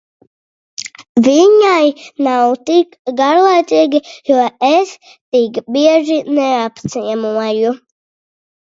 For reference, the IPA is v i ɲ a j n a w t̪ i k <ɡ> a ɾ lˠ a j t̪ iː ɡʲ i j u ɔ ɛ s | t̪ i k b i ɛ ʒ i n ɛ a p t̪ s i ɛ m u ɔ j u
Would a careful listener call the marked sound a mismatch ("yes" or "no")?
no